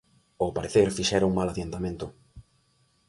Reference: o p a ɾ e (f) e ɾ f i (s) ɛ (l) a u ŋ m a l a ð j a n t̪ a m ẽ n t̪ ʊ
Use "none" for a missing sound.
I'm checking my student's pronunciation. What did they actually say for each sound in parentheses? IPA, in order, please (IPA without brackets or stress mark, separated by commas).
θ, ʃ, ɾ